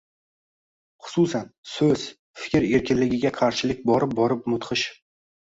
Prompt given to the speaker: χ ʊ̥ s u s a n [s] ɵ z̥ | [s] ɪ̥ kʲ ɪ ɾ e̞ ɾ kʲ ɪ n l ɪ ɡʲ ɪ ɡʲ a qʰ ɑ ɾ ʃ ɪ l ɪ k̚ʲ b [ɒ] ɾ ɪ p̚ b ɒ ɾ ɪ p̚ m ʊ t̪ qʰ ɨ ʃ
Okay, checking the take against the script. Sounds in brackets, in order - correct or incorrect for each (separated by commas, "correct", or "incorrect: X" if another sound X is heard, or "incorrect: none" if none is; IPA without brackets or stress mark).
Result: correct, incorrect: f, correct